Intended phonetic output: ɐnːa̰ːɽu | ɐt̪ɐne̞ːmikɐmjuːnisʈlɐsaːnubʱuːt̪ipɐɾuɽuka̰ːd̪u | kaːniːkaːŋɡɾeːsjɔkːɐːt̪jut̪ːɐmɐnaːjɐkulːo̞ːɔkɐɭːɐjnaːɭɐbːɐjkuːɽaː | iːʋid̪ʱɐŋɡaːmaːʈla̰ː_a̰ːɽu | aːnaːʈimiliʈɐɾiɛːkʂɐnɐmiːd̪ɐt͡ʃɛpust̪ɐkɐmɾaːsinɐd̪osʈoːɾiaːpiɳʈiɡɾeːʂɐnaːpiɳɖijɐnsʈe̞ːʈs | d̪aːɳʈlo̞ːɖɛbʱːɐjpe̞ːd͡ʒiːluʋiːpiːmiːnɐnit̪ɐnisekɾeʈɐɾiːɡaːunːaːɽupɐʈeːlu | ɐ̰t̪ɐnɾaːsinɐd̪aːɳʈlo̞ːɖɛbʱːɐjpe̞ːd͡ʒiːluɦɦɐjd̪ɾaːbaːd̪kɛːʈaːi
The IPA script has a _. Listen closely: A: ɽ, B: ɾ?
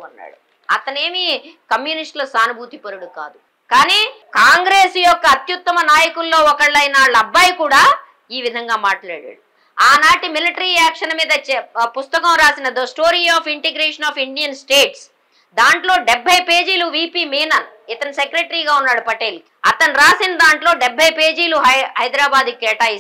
A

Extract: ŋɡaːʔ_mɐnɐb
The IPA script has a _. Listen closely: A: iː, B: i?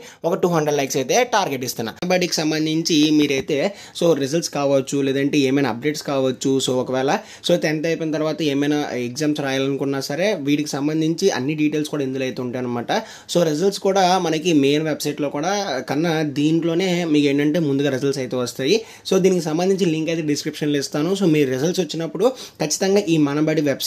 A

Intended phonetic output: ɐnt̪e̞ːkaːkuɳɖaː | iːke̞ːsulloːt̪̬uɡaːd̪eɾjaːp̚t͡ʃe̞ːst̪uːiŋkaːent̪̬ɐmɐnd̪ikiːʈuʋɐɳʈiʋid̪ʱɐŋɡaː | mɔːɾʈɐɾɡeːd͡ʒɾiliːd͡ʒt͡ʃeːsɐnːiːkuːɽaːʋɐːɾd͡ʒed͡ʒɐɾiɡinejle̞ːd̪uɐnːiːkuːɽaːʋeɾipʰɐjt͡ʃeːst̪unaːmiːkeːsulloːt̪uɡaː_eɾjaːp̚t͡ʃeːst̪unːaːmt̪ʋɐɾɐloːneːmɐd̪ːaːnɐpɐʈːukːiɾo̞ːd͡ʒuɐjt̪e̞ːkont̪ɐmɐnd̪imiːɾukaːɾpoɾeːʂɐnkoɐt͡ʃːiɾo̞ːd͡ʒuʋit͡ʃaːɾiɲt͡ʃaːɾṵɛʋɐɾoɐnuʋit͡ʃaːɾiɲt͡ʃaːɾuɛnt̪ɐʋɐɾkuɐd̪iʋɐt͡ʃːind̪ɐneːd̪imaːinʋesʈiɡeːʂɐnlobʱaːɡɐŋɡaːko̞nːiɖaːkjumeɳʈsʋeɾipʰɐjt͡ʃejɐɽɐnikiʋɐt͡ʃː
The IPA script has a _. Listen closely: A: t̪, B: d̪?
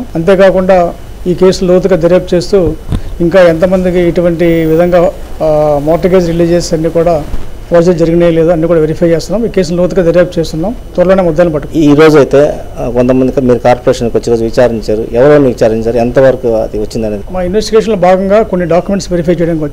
B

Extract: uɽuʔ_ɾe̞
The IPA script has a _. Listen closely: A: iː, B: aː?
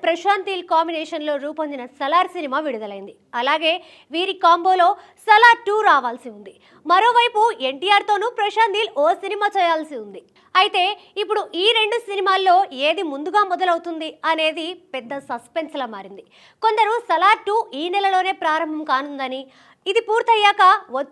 A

